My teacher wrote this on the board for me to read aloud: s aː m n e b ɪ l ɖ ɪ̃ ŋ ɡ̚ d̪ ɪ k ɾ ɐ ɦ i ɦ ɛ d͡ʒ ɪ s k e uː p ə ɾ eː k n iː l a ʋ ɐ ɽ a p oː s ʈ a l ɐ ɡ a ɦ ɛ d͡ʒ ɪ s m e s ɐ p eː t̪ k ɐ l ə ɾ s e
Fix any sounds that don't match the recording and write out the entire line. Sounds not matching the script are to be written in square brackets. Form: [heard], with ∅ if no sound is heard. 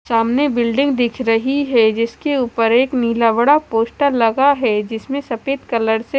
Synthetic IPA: s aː m n e b ɪ l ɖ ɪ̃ ŋ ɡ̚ d̪ ɪ [kʰ] ɾ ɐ ɦ i ɦ ɛ d͡ʒ ɪ s k e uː p ə ɾ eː k n iː l a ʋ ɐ ɽ a p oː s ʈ a l ɐ ɡ a ɦ ɛ d͡ʒ ɪ s m [ẽ] s ɐ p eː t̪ k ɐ l ə ɾ s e